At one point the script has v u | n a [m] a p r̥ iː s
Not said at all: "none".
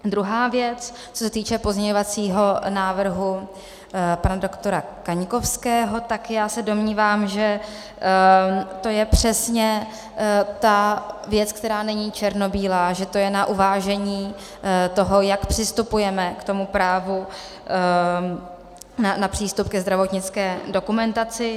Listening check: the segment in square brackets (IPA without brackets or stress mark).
n